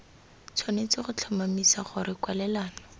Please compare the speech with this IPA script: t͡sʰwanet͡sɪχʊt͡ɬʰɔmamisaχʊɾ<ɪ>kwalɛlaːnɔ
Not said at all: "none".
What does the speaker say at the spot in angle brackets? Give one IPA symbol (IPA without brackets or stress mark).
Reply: ɪ